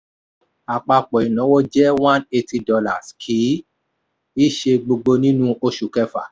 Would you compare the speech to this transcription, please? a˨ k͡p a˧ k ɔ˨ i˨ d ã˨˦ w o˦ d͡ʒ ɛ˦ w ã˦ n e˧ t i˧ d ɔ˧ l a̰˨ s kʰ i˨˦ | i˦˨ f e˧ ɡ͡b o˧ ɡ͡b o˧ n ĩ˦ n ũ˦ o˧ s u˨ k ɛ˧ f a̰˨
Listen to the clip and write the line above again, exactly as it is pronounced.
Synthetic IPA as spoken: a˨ k͡p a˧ k͡p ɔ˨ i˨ n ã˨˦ w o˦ d͡ʒ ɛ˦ w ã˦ n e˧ t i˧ d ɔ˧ l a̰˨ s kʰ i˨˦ | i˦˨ ʃ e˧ ɡ͡b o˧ ɡ͡b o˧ n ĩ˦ n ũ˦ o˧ ʃ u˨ k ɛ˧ f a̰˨